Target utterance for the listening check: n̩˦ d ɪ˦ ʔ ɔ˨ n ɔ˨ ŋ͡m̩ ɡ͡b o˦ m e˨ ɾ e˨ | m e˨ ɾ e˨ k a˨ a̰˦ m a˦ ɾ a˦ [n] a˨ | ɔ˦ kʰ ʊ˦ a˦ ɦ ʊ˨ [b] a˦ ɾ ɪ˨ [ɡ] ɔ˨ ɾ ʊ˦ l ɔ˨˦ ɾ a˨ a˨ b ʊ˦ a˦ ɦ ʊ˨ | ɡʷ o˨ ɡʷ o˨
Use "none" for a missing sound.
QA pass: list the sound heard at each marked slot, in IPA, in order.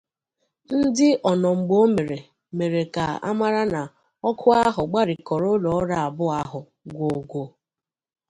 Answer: n, ɡ͡b, k

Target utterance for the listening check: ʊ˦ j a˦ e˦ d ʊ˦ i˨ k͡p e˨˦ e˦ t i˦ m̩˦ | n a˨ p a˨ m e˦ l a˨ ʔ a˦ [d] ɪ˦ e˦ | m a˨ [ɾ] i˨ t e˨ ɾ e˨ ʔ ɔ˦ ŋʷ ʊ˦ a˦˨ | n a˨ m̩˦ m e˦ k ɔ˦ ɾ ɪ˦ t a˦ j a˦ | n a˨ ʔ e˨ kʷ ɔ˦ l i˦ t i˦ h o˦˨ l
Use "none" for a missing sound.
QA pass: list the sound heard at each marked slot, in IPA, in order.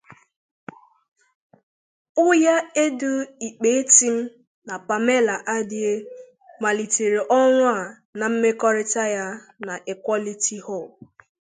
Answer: d, l

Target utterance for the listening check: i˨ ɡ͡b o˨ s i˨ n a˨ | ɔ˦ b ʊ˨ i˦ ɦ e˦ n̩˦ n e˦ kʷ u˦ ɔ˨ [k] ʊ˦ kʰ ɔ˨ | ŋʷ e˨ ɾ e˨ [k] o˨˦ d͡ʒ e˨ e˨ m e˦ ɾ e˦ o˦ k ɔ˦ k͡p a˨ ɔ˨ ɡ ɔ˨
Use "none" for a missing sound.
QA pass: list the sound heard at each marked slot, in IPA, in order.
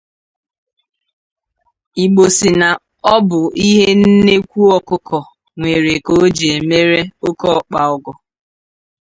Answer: k, k

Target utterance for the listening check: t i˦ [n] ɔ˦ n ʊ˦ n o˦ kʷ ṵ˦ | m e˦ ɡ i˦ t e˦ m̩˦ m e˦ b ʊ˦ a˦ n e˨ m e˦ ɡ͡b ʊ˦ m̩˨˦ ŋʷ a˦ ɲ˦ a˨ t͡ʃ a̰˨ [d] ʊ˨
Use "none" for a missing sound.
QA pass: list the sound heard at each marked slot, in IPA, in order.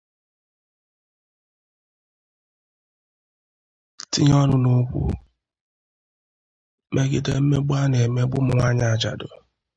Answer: ɲ, d

